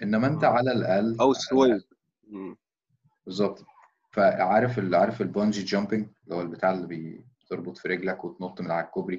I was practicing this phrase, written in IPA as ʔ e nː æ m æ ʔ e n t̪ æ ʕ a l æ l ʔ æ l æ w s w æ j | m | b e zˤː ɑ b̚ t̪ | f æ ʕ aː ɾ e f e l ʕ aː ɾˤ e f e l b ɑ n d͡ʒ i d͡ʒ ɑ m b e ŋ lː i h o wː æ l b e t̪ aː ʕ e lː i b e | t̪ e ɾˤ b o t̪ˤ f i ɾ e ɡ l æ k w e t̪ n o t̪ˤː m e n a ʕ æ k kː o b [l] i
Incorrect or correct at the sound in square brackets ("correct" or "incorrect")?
incorrect